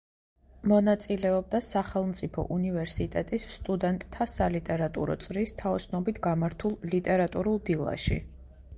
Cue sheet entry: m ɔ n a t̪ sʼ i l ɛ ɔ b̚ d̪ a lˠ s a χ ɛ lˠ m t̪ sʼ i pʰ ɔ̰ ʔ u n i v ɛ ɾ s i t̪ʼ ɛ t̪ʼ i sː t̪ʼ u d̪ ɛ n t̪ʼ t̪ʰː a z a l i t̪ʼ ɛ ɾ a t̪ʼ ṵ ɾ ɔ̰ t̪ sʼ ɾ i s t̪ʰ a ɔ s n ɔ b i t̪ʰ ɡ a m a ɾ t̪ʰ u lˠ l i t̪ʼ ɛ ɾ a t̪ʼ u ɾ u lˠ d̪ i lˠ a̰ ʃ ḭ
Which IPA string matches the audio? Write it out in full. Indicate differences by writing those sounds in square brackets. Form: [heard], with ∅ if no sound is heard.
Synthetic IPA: m ɔ n a t̪ sʼ i l ɛ ɔ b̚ d̪ a [∅] s a χ ɛ lˠ m t̪ sʼ i pʰ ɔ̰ ʔ u n i v ɛ ɾ s i t̪ʼ ɛ t̪ʼ i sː t̪ʼ u d̪ ɛ n t̪ʼ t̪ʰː a [s] a l i t̪ʼ ɛ ɾ a t̪ʼ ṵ ɾ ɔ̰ t̪ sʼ ɾ i s t̪ʰ a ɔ s n ɔ b i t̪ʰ ɡ a m a ɾ t̪ʰ u lˠ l i t̪ʼ ɛ ɾ a t̪ʼ u ɾ u lˠ d̪ i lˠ a̰ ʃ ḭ